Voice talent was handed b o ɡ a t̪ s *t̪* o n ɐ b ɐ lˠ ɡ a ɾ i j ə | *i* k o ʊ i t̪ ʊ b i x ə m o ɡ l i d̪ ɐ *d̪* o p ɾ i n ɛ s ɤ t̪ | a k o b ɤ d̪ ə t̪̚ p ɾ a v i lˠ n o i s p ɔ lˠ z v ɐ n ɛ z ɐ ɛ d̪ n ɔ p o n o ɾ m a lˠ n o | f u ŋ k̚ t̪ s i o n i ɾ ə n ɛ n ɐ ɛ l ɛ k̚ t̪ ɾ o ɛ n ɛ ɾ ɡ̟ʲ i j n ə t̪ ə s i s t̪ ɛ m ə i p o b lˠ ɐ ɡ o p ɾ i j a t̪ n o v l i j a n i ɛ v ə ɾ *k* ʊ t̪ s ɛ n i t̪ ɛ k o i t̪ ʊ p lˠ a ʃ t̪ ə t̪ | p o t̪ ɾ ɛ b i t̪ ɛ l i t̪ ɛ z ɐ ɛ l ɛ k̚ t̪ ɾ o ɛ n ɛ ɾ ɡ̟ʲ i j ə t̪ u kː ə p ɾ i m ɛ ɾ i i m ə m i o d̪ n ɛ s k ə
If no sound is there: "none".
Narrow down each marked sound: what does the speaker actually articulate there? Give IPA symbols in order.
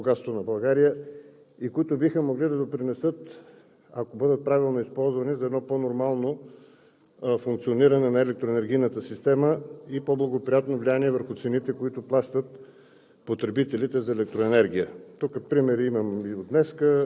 t̪, i, d̪, x

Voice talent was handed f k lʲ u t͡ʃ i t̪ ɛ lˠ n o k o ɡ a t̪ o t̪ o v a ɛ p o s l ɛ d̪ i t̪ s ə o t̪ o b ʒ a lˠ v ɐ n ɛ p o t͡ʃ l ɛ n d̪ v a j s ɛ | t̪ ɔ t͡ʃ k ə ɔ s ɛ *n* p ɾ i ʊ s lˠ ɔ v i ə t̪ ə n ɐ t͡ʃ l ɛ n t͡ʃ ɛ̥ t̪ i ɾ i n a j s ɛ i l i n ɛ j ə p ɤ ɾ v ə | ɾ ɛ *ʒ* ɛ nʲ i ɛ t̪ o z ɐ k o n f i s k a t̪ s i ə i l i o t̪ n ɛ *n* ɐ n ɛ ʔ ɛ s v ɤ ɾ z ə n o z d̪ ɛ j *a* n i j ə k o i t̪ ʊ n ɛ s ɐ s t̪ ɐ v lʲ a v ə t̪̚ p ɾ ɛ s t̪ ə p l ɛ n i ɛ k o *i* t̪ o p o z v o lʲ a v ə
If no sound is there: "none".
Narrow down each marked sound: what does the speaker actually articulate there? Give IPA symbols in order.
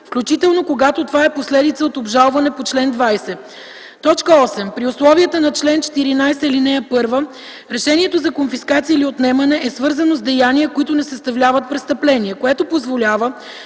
m, ʃ, m, a, ɛ

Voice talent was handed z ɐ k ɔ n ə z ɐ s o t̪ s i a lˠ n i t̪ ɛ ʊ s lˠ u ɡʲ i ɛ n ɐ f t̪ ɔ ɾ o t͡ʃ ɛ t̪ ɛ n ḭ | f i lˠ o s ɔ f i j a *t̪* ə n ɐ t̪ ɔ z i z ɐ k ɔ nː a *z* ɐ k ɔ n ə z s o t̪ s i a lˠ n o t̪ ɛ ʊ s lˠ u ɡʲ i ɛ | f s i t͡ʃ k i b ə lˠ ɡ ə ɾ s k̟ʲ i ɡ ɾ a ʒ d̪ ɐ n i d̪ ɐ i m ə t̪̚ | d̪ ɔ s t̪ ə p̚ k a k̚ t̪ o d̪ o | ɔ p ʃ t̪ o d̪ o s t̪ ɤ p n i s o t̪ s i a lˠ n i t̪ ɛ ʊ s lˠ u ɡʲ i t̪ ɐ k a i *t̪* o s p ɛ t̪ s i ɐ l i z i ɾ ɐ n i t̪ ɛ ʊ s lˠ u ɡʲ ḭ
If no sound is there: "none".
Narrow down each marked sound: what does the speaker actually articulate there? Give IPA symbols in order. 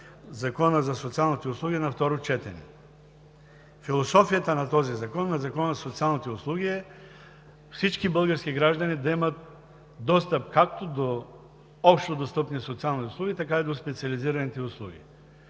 t̪, z, d̪

